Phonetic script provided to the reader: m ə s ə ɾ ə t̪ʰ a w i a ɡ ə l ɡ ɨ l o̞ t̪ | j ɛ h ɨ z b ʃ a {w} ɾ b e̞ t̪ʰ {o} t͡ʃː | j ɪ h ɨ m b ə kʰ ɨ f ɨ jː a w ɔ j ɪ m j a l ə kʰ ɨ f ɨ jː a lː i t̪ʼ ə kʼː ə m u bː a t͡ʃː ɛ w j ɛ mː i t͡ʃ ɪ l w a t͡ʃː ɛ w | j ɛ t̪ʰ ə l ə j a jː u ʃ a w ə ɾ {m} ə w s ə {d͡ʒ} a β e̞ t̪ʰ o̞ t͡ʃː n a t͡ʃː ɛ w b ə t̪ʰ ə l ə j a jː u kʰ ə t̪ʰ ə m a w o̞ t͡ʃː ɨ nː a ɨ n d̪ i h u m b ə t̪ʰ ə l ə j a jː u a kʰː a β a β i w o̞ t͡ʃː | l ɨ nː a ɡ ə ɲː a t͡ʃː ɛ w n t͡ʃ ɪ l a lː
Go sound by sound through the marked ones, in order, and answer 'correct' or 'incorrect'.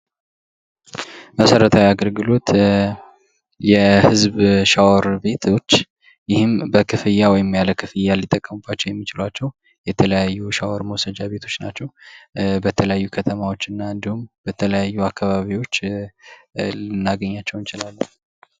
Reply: correct, correct, correct, correct

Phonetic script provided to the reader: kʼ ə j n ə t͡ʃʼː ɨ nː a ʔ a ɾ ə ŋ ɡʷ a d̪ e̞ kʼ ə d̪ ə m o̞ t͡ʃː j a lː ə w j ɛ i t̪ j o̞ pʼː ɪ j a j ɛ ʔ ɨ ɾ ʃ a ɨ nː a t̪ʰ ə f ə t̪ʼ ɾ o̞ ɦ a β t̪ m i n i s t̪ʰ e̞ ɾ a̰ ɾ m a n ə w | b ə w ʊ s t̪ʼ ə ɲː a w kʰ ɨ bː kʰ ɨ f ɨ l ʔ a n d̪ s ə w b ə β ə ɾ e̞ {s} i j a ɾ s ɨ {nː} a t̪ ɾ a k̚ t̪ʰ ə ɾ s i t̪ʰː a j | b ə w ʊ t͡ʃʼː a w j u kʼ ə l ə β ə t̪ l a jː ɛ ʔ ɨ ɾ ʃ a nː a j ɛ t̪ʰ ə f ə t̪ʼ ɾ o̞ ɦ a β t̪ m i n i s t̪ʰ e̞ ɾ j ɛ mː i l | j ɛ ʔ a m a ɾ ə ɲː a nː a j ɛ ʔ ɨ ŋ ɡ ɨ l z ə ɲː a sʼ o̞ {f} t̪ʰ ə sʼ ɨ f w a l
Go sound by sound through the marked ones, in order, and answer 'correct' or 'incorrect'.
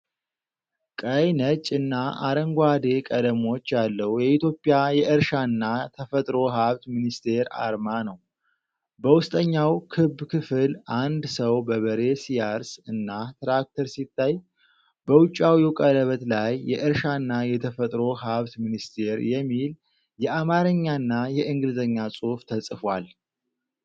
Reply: correct, correct, correct

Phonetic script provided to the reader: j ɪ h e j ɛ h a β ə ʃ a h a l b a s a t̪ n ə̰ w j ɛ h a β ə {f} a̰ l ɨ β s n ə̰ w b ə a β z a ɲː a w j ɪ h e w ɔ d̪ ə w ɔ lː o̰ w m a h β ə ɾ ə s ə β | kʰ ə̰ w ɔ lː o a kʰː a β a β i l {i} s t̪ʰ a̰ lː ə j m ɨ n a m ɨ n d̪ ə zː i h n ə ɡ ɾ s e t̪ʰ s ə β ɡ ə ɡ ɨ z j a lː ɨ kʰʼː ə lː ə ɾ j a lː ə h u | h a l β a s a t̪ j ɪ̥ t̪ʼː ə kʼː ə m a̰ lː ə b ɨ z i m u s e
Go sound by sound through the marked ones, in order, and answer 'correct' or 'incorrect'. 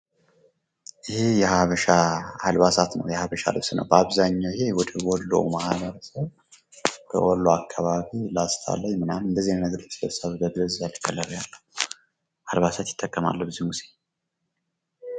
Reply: incorrect: ʃ, incorrect: a

